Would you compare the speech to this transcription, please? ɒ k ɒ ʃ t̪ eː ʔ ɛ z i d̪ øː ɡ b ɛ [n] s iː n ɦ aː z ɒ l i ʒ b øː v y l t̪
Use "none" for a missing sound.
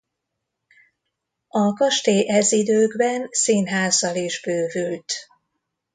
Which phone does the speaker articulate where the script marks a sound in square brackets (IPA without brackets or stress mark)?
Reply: n